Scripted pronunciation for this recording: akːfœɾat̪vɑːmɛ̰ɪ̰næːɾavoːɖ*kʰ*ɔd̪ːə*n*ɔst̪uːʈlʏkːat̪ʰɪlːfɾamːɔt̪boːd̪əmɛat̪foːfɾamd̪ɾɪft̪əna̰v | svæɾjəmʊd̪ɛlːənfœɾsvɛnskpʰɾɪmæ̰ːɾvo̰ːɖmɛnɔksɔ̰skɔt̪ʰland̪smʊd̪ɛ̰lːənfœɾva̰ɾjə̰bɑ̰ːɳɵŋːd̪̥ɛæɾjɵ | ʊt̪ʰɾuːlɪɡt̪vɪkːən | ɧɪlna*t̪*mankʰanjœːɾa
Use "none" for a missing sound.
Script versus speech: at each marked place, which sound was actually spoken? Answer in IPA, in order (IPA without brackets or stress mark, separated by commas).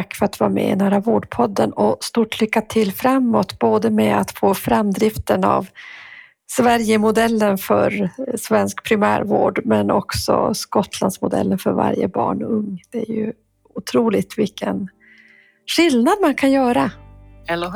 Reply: pʰ, n, d̪